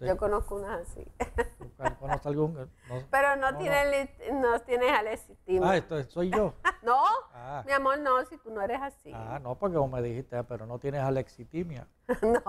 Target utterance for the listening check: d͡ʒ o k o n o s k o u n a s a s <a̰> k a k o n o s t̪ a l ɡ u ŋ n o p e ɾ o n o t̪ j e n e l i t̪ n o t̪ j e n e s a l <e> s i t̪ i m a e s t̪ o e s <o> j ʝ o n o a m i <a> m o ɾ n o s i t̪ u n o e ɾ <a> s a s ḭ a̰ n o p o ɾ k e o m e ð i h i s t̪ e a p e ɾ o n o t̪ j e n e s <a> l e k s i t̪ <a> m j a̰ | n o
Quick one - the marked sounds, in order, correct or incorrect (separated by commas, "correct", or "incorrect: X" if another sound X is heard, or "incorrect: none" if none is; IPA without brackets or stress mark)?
incorrect: ḭ, correct, correct, correct, incorrect: e, correct, incorrect: i